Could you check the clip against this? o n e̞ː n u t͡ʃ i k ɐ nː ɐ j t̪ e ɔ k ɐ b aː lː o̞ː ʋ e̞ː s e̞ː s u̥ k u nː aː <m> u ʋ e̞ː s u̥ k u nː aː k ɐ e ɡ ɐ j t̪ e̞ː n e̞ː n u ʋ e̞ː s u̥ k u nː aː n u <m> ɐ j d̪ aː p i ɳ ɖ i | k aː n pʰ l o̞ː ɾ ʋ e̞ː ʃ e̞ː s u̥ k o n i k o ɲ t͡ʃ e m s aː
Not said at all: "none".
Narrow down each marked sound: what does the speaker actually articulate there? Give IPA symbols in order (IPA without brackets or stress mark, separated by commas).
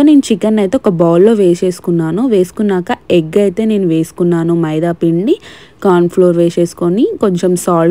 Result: n, m